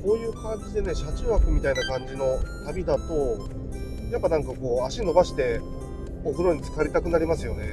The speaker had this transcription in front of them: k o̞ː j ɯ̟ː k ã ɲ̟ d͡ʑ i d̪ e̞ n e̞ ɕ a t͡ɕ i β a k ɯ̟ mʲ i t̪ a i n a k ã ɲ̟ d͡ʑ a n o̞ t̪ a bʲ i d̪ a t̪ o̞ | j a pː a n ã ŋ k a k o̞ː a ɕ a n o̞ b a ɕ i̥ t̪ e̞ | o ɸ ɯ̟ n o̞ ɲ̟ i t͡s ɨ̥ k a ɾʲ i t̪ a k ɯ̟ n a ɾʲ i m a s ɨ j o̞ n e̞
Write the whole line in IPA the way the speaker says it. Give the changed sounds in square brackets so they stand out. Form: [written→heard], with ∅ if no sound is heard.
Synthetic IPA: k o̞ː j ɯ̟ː k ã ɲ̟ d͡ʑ i d̪ e̞ n e̞ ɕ a t͡ɕ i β a k ɯ̟ mʲ i t̪ a i n a k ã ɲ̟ d͡ʑ [a→i] n o̞ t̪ a bʲ i d̪ a t̪ o̞ | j a pː a n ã ŋ k a k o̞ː a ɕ [a→i] n o̞ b a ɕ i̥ t̪ e̞ | o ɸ ɯ̟ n o̞ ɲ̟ i t͡s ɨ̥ k a ɾʲ i t̪ a k ɯ̟ n a ɾʲ i m a s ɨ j o̞ n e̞

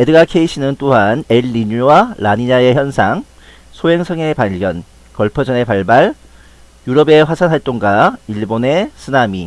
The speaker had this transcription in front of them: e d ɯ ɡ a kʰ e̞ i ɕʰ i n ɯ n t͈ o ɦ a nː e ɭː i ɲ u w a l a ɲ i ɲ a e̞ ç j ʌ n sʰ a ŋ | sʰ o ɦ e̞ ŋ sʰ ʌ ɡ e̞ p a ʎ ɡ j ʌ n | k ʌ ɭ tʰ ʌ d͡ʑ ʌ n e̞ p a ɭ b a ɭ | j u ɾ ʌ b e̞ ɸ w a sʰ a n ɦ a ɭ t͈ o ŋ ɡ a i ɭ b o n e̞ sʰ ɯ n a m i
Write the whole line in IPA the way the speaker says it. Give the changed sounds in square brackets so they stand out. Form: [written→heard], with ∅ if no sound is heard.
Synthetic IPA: e d ɯ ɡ a kʰ e̞ i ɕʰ i n ɯ n t͈ o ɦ a [nː→n] e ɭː i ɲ u w a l a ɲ i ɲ a e̞ ç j ʌ n sʰ a ŋ | sʰ o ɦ e̞ ŋ sʰ ʌ [ɡ→ŋ] e̞ p a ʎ ɡ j ʌ n | k ʌ ɭ [tʰ→pʰ] ʌ d͡ʑ ʌ n e̞ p a ɭ b a ɭ | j u ɾ ʌ b e̞ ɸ w a sʰ a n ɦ a ɭ t͈ o ŋ ɡ a i ɭ b o n e̞ sʰ ɯ n a m i

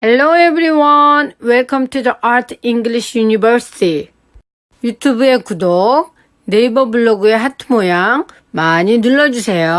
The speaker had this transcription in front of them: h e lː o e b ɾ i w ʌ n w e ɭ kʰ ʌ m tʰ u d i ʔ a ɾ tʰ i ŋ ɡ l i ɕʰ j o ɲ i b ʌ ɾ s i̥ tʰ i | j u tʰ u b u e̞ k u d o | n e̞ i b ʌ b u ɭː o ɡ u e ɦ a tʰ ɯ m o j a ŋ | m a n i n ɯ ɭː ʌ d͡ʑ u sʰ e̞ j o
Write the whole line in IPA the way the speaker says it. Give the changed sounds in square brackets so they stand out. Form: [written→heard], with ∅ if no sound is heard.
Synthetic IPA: h e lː o e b ɾ i w ʌ n w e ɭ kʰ ʌ m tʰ u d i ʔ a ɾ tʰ i ŋ ɡ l i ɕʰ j [o→u] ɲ i b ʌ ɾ s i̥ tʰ i | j u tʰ u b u e̞ k u d o | n e̞ i b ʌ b u ɭː o ɡ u e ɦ a tʰ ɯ m o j a ŋ | m a [n→ɲ] i n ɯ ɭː ʌ d͡ʑ u sʰ e̞ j o

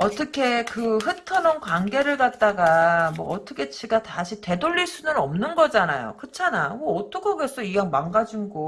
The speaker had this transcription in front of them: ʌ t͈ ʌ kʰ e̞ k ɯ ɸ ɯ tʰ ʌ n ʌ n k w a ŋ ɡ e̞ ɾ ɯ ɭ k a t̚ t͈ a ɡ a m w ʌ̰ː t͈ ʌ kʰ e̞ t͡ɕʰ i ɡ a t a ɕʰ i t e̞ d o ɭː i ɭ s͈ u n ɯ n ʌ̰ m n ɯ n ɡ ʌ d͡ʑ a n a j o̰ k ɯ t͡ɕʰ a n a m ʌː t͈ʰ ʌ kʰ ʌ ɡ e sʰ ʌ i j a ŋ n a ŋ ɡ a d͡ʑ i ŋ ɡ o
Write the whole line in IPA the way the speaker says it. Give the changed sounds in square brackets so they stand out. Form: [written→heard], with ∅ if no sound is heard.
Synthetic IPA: ʌ t͈ ʌ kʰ e̞ k ɯ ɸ ɯ tʰ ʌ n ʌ n k w a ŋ ɡ e̞ ɾ ɯ ɭ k a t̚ t͈ a ɡ a m w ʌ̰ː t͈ ʌ kʰ e̞ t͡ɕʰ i ɡ a t a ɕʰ i t e̞ d o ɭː i ɭ s͈ u n ɯ n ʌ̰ m n ɯ n ɡ ʌ d͡ʑ a n a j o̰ k ɯ t͡ɕʰ a n a m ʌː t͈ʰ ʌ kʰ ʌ ɡ e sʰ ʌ i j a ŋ [n→m] a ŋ ɡ a d͡ʑ i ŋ ɡ o

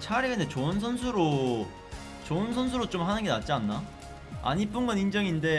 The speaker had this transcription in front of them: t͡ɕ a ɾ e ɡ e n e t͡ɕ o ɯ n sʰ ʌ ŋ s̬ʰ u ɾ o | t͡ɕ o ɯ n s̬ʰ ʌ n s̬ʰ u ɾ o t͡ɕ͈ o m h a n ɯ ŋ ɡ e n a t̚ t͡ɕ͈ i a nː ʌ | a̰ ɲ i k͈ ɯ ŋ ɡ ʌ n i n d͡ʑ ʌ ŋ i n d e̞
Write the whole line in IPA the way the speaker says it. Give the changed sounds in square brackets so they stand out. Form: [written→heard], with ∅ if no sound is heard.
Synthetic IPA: [t͡ɕ→t͡ɕʰ] a ɾ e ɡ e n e t͡ɕ o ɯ n sʰ ʌ [ŋ→n] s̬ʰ u ɾ o | t͡ɕ o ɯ n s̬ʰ ʌ n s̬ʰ u ɾ o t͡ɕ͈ o m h a n ɯ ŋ ɡ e n a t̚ t͡ɕ͈ i a nː [ʌ→a] | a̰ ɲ i [k͈→p͈] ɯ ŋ ɡ ʌ n i n d͡ʑ ʌ ŋ i n d e̞

